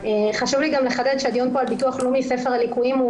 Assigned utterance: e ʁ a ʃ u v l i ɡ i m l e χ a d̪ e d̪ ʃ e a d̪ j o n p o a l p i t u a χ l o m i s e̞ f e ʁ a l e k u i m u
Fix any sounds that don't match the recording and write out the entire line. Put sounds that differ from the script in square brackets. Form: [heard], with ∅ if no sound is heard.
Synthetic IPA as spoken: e [χ] a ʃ u v l i ɡ [a] m l e χ a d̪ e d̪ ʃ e a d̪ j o n p o a l [b] i t u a χ l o m i s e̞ f e ʁ a l [i] k u i m u